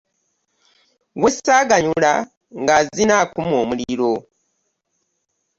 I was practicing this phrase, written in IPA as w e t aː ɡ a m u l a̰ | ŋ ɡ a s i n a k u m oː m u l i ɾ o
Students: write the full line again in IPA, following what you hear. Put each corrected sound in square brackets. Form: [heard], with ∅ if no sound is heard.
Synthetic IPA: w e [s] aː ɡ a [ɲ] u l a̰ | ŋ ɡ a [z] i n a k u m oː m u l i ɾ o